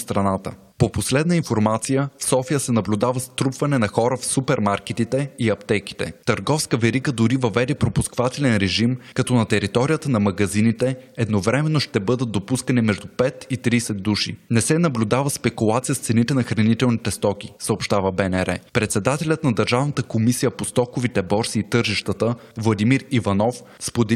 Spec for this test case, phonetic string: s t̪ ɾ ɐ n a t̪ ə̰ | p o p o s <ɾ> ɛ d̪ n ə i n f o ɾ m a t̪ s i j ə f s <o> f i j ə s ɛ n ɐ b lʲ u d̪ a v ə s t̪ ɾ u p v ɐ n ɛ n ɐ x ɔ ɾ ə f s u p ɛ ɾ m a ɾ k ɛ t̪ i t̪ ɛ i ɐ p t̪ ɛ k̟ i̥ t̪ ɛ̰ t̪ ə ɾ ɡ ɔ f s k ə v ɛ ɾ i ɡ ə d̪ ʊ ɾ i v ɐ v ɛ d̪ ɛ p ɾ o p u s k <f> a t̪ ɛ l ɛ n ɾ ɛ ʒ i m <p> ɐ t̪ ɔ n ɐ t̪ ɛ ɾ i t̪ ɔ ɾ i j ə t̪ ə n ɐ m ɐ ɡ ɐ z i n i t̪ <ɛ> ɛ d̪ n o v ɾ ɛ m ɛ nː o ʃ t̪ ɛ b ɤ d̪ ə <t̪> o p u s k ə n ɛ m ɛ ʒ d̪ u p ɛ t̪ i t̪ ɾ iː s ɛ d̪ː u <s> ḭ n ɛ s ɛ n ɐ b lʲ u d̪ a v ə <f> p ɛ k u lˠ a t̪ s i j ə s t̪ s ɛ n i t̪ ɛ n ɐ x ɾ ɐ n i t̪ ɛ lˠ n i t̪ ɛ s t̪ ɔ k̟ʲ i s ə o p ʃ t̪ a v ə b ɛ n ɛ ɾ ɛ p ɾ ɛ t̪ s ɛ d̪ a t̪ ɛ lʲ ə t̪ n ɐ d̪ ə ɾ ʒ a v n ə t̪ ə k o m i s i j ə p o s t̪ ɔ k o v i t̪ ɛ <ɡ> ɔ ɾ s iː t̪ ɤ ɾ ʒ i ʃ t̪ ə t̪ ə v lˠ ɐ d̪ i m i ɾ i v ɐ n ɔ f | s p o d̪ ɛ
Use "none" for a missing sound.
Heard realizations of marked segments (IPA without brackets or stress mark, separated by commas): l, ɔ, v, k, ɛ, d̪, ʃ, s, b